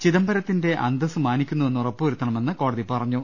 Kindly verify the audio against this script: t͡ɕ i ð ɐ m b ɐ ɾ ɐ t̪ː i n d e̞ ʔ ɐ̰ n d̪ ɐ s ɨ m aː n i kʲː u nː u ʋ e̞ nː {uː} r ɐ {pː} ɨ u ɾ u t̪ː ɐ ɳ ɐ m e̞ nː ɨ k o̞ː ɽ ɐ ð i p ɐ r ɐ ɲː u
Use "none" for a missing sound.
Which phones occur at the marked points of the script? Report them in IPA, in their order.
u, pː

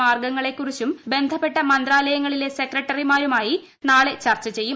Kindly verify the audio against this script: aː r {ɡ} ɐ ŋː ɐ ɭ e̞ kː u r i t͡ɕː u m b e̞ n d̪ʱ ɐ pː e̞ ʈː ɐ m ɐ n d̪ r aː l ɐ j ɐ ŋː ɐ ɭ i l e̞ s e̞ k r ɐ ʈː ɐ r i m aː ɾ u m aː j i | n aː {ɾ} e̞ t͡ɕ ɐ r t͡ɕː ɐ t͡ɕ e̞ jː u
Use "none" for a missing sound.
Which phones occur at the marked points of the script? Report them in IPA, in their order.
ɡ, ɭ

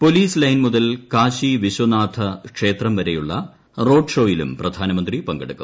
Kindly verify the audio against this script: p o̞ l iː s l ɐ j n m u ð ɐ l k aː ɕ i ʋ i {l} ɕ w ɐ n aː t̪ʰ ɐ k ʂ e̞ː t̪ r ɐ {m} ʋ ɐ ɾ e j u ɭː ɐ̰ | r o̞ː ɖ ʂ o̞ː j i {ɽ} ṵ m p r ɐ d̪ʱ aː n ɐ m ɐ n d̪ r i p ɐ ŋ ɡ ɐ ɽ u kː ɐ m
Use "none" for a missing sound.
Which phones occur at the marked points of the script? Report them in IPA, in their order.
none, m, l

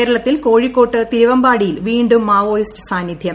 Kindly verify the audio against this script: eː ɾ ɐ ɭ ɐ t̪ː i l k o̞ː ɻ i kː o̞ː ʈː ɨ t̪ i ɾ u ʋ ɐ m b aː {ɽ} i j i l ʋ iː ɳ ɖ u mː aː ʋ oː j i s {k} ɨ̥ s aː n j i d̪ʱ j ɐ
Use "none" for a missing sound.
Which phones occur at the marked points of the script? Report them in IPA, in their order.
ɽ, t

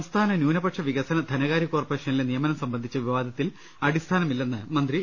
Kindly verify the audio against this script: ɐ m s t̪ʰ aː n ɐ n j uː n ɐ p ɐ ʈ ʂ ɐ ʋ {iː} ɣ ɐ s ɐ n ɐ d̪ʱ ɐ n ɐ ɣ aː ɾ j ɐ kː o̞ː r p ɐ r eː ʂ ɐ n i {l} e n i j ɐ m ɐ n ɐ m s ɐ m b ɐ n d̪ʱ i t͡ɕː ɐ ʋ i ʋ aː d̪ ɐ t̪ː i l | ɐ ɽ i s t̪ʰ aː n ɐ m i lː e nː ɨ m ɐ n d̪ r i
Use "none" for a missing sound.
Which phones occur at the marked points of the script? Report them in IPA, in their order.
i, l

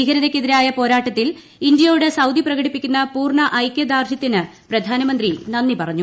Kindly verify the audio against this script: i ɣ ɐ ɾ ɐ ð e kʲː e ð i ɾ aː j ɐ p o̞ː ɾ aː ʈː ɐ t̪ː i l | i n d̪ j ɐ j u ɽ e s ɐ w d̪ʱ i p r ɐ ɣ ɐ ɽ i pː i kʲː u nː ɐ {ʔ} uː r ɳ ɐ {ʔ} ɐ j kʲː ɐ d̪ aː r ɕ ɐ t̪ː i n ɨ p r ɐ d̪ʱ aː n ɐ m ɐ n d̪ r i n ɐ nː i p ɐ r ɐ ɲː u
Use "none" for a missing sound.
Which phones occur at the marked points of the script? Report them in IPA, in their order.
p, ʔ

